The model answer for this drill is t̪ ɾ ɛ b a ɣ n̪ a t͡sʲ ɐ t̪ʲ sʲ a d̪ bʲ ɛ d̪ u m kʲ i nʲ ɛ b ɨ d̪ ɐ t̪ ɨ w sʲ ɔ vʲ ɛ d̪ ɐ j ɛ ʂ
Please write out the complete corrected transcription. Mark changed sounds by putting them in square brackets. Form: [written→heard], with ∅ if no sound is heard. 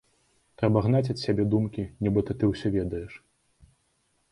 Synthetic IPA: t̪ ɾ ɛ b [a→ɐ] ɣ n̪ a t͡sʲ ɐ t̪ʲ sʲ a [d̪→∅] bʲ ɛ d̪ u m kʲ i nʲ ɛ b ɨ [d̪→t̪] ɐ t̪ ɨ w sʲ ɔ vʲ ɛ d̪ ɐ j ɛ ʂ